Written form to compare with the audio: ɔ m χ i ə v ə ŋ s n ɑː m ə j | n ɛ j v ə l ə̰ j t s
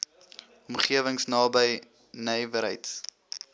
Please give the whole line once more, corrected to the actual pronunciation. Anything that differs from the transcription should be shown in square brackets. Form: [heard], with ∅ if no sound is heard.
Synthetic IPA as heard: ɔ m χ i ə v ə ŋ s n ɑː [b] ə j | n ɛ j v ə [ɾ] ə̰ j t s